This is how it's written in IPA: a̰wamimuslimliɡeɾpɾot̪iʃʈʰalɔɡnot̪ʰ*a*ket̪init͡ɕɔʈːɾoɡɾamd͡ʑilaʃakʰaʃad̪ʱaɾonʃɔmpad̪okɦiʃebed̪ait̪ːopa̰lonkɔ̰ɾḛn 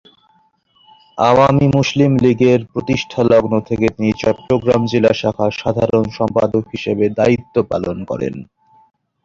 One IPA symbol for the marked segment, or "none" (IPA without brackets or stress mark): e